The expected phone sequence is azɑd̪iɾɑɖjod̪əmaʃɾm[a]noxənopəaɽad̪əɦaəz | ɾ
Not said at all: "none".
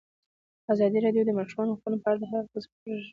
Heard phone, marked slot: ɑ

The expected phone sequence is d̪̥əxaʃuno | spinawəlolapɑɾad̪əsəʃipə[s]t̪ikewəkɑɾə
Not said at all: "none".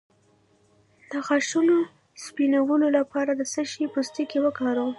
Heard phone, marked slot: s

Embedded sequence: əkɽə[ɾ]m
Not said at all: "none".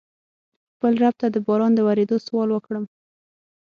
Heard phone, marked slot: none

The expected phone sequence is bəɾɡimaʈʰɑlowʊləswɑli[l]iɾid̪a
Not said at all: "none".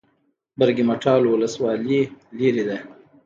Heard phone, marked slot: l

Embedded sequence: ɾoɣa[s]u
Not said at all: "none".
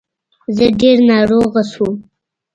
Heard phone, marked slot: s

